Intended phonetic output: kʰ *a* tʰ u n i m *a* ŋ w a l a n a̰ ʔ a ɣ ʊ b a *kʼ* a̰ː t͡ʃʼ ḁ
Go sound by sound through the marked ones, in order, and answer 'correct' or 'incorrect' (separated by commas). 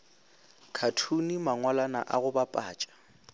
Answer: correct, correct, incorrect